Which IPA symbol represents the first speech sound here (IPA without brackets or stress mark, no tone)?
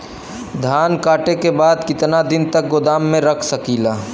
d̪ʱ